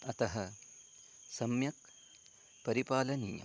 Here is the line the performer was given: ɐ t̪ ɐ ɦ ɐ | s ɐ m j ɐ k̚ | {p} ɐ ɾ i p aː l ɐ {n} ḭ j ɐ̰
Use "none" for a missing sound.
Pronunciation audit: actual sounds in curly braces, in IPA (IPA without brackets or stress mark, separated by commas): p, n